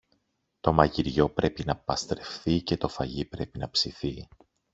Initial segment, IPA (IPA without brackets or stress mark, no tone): t̪